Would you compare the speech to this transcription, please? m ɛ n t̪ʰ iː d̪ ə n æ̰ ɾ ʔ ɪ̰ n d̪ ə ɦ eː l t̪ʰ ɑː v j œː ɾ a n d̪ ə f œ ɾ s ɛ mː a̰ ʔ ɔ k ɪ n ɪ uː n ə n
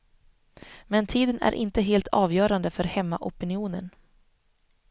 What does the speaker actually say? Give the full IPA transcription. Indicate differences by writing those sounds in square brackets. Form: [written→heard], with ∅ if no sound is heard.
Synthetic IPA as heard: m ɛ n t̪ʰ iː d̪ ə n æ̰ ɾ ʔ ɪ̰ n [d̪→t̪] ə ɦ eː l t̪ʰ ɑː v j œː ɾ a n d̪ ə f œ ɾ [s→h] ɛ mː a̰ ʔ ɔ [k→p] ɪ n ɪ uː n ə n